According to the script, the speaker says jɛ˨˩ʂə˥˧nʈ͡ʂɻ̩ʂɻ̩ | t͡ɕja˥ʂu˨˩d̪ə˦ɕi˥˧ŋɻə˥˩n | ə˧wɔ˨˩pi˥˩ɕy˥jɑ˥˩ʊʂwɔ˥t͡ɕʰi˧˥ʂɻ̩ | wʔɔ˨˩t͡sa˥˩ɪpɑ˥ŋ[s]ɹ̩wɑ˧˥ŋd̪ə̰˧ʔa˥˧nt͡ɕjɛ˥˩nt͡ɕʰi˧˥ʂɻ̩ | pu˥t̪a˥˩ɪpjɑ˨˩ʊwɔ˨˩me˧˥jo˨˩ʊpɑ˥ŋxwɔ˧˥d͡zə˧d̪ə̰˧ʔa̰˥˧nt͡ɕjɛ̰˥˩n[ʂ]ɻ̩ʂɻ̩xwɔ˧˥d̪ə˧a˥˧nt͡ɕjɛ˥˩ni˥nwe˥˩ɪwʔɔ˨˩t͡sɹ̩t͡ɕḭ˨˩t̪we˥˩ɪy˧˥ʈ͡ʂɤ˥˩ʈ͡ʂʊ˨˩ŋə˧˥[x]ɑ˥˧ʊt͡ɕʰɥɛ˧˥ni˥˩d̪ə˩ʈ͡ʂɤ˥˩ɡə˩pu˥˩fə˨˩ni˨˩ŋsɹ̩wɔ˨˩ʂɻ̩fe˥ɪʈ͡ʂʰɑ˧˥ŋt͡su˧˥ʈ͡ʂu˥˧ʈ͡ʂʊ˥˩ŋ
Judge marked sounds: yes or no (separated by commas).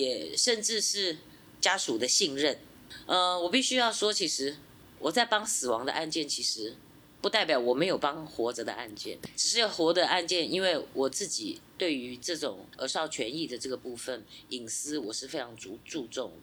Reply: yes, no, no